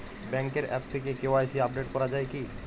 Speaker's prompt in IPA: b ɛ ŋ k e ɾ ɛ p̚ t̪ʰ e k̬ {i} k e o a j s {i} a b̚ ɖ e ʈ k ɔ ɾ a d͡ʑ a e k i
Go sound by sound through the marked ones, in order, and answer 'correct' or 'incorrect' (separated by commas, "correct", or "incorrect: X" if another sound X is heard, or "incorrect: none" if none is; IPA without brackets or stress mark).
incorrect: e, correct